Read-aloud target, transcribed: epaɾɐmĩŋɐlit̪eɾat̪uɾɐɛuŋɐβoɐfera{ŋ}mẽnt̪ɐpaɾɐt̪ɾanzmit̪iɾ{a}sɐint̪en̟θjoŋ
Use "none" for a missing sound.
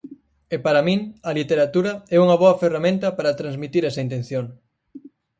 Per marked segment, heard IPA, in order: none, ɛ

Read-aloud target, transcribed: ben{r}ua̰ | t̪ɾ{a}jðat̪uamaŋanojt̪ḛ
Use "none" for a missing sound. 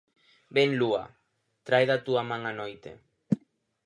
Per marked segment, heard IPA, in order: l, a

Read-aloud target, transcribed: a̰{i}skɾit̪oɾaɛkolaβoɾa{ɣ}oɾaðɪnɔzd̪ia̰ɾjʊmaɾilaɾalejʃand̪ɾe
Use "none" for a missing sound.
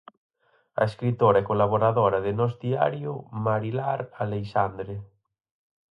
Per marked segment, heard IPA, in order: e, ð

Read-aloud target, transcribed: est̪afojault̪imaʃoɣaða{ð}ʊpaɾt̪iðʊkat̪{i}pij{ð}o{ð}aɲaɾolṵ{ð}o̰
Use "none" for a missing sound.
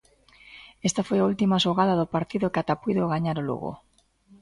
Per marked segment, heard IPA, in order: ð, a, ð, ɣ, ɣ

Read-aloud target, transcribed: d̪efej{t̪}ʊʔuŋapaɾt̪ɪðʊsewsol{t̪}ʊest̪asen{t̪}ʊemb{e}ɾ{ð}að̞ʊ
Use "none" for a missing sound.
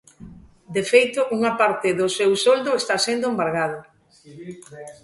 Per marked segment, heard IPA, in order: t̪, d̪, d̪, a, ɣ

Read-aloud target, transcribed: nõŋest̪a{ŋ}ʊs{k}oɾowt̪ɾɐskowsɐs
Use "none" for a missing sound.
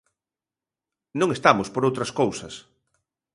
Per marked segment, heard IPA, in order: m, p

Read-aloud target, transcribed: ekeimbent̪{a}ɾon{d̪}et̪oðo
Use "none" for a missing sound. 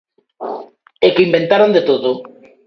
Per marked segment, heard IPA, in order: a, d̪

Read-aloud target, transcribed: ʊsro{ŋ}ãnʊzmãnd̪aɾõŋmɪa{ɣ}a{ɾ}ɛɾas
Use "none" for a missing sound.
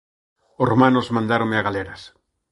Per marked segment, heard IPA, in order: m, ɣ, l

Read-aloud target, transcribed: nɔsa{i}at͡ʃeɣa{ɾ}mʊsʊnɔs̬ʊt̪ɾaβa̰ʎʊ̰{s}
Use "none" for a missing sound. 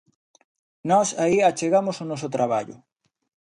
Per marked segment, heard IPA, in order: i, none, none

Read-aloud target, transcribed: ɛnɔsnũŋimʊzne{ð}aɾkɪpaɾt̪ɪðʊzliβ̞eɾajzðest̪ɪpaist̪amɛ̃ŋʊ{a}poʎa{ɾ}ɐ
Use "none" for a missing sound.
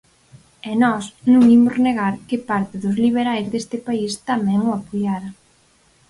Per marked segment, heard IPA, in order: ɣ, a, ɾ

